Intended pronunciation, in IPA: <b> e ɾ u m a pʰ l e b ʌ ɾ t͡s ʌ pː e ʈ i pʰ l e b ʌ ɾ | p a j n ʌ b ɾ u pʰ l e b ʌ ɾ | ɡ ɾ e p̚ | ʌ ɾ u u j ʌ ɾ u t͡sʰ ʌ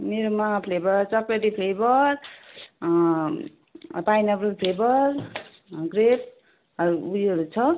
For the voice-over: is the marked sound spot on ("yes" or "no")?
no